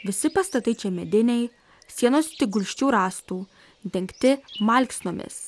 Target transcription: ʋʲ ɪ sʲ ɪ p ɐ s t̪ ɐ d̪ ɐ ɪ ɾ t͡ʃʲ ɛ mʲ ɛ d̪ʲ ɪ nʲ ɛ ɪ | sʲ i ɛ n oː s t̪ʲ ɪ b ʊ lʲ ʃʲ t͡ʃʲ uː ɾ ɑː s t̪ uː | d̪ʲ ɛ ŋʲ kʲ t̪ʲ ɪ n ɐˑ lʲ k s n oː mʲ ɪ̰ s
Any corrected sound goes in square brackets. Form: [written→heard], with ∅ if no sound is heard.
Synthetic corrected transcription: ʋʲ ɪ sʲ ɪ p ɐ s t̪ ɐ [d̪→t̪] ɐ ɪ [ɾ→∅] t͡ʃʲ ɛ mʲ ɛ d̪ʲ ɪ nʲ ɛ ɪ | sʲ i ɛ n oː s t̪ʲ ɪ [b→ɡ] ʊ lʲ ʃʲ t͡ʃʲ uː ɾ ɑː s t̪ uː | d̪ʲ ɛ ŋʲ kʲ t̪ʲ ɪ [n→m] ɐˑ lʲ k s n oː mʲ ɪ̰ s